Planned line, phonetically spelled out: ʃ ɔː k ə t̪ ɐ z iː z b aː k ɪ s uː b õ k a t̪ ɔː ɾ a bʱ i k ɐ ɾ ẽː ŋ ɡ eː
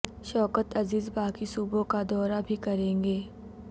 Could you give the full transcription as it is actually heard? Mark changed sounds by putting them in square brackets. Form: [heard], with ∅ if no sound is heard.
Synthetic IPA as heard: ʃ ɔː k ə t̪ ɐ z iː z b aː k [i] s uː b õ k a [d̪] ɔː ɾ a bʱ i k ɐ ɾ ẽː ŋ ɡ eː